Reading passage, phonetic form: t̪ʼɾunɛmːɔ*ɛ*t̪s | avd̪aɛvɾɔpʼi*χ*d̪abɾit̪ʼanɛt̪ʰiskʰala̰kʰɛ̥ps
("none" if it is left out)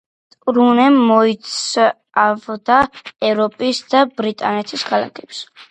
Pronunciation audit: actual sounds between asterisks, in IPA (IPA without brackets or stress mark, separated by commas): i, s